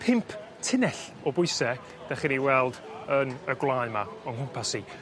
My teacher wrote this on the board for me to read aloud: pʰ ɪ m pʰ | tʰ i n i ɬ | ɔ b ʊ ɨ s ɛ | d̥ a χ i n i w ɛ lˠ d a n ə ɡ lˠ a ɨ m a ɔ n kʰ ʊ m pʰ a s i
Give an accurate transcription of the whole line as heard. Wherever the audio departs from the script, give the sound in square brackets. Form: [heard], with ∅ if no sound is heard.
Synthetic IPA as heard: pʰ ɪ m pʰ | tʰ [ɪ] n [ɛ] ɬ | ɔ b ʊ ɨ s ɛ | d̥ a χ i n i w ɛ lˠ d [ə] n ə ɡ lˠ a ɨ m a ɔ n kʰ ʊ m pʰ a s i